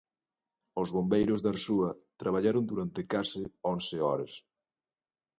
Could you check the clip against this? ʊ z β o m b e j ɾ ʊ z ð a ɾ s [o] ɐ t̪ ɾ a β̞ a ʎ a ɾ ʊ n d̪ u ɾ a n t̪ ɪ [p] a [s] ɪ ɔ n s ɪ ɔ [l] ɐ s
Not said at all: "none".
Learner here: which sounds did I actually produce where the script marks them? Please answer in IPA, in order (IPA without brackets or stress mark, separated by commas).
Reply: u, k, s, ɾ